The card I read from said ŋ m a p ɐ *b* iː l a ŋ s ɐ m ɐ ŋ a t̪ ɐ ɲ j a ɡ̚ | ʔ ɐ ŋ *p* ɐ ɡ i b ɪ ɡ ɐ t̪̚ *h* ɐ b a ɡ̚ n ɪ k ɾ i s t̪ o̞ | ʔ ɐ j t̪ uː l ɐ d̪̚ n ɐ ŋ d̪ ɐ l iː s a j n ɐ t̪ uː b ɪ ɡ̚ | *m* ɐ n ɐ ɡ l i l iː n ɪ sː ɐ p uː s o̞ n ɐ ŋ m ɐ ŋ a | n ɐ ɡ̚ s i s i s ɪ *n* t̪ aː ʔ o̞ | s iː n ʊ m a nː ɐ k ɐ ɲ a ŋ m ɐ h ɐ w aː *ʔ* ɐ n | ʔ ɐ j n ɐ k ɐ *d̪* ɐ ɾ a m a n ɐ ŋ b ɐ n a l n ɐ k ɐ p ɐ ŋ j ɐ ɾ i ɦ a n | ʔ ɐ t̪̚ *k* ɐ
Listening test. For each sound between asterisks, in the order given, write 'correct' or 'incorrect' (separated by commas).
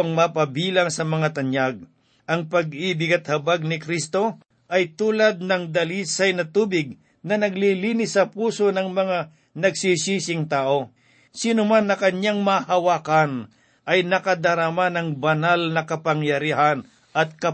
correct, correct, correct, incorrect, incorrect, incorrect, correct, correct